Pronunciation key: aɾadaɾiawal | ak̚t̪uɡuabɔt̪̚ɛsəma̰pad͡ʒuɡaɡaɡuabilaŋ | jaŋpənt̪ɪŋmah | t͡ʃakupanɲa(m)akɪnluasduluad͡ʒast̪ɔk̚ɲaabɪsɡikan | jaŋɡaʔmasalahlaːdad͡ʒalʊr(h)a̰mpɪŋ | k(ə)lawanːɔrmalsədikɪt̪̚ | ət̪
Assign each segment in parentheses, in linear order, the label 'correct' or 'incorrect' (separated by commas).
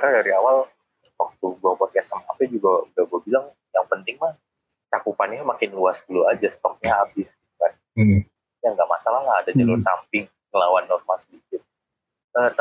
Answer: correct, incorrect, correct